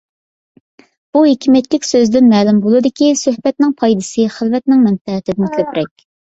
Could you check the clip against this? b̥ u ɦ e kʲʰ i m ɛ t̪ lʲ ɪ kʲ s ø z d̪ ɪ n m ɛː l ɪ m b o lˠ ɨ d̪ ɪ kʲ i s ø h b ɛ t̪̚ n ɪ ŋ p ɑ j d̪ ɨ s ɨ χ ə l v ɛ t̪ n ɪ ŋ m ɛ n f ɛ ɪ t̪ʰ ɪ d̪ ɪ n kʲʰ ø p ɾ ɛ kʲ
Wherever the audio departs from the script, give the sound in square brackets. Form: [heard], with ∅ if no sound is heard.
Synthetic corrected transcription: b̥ u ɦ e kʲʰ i m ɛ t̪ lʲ ɪ kʲ s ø z d̪ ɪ n m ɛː l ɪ m b o lˠ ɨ d̪ ɪ kʲ i s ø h b ɛ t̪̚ n ɪ ŋ [pʰ] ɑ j d̪ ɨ s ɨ χ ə l v ɛ t̪ n ɪ ŋ m ɛ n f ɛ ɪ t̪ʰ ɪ d̪ ɪ n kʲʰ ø p ɾ ɛ kʲ